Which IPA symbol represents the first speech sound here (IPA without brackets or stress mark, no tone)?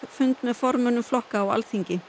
f